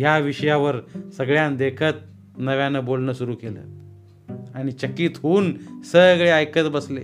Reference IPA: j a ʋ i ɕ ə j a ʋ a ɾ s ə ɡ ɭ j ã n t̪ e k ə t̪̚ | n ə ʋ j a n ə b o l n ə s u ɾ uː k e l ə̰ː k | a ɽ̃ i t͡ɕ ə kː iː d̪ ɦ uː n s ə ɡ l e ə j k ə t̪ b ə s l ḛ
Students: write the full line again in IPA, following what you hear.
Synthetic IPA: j a ʋ i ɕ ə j a ʋ ə ɾ s ə ɡ ɭ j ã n d̪ e kʰ ə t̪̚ | n ə ʋ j a n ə b o l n ə s u ɾ uː k e l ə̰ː | a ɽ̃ i t͡ɕ ə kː iː t̪ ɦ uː n s ə ɡ ɭ e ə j k ə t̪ b ə s l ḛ